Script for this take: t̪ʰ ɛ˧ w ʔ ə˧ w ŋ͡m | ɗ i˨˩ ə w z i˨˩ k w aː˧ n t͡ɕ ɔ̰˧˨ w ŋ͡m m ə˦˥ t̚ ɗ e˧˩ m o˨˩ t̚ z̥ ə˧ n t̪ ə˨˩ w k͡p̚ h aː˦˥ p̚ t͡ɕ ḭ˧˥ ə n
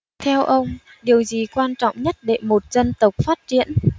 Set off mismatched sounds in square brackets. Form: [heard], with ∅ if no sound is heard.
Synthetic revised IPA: t̪ʰ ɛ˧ w ʔ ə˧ w ŋ͡m | ɗ i˨˩ ə w z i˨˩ k w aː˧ n t͡ɕ ɔ̰˧˨ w ŋ͡m [ɲ] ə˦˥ t̚ ɗ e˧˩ m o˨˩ t̚ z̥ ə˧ n t̪ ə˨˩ w k͡p̚ [f] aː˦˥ [t̚] t͡ɕ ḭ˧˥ ə n